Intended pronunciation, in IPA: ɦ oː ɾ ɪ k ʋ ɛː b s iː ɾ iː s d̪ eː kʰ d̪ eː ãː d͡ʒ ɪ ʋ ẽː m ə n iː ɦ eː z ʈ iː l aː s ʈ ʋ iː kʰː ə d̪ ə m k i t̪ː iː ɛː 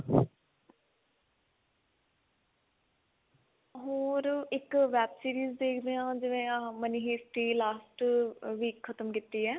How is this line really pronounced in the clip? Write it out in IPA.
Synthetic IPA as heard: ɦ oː ɾ ɪ k ʋ ɛː b s iː ɾ iː z d̪ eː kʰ d̪ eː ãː d͡ʒ ɪ ʋ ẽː m ə n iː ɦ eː s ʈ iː l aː s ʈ ʋ iː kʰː ə t̪ ə m k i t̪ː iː ɛː